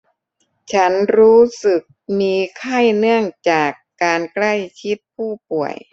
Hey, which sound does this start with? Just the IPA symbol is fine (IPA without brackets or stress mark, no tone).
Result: t͡ɕʰ